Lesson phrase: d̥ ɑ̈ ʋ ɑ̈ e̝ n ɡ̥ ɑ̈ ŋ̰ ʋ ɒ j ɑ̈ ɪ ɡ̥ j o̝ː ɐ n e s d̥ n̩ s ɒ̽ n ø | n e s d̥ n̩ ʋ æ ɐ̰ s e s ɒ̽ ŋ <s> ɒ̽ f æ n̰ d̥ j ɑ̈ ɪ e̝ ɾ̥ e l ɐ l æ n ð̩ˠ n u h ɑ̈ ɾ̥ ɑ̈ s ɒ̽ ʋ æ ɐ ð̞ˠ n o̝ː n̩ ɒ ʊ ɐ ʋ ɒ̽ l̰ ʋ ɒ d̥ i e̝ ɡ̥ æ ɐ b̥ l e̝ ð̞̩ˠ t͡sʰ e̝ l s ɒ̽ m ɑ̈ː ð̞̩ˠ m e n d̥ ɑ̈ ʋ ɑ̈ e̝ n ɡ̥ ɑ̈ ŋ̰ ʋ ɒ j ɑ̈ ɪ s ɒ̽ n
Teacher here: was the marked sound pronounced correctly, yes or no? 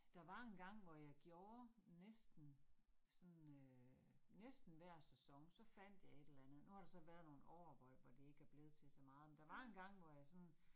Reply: yes